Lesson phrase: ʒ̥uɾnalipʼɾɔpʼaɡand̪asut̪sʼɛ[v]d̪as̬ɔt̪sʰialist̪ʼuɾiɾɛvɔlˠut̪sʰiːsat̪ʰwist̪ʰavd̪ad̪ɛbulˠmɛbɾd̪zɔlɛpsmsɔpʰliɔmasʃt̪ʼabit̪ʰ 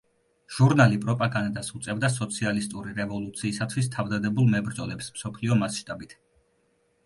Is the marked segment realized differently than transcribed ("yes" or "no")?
no